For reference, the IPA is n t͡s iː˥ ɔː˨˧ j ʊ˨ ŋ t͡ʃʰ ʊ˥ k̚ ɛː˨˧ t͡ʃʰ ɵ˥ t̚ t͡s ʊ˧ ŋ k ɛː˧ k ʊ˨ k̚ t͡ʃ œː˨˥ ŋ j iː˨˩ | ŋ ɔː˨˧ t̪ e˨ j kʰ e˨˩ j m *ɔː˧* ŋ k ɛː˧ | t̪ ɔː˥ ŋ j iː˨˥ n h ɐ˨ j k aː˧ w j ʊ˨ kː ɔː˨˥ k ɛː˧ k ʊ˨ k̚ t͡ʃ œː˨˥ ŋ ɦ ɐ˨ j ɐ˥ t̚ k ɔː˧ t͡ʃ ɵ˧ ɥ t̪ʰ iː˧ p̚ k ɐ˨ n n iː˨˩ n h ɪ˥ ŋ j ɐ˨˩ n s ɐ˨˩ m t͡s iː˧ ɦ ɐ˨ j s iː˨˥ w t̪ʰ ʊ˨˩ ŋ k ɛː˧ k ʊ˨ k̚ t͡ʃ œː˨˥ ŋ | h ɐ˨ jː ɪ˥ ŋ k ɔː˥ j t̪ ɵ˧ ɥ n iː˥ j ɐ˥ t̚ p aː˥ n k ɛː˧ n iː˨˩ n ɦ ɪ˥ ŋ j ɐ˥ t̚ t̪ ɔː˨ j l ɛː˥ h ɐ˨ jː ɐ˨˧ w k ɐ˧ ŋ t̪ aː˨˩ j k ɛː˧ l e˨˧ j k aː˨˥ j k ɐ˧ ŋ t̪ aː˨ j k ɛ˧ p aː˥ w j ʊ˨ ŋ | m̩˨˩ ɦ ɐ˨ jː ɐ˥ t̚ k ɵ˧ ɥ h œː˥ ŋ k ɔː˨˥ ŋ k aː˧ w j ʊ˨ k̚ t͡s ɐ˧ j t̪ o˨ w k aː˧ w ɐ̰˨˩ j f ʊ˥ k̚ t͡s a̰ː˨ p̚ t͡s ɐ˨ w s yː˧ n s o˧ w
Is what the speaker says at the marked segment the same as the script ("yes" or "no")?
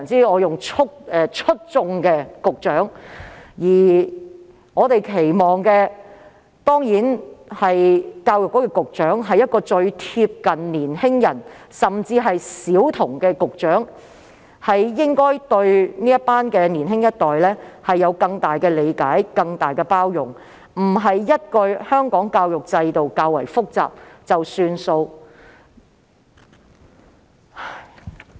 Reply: no